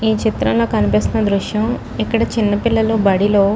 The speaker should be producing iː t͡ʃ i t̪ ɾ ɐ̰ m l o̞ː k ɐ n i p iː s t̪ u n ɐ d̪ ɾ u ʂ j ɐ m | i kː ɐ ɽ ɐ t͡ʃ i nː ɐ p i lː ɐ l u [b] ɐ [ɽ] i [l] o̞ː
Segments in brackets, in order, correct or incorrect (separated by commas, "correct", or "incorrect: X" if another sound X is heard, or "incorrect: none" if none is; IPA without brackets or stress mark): correct, correct, correct